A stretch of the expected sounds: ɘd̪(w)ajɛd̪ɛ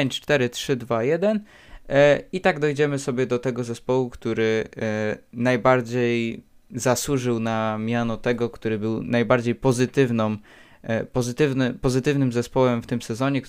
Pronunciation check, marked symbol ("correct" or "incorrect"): incorrect